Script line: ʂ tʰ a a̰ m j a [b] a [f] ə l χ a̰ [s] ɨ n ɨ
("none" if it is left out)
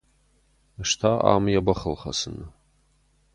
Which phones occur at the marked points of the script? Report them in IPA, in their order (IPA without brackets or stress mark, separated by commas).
b, χ, s